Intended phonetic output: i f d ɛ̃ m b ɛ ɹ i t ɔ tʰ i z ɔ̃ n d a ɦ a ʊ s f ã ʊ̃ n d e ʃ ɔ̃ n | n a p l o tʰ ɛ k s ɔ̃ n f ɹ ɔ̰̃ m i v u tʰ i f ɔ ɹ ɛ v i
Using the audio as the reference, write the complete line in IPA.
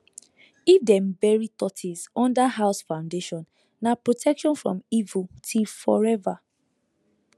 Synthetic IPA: i f d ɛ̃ m b ɛ ɹ i t ɔ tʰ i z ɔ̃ n d a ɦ a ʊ s f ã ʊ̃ n d e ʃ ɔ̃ n | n a p ɹ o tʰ ɛ k ʃ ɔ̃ n f ɹ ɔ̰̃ m i v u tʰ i f ɔ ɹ ɛ v a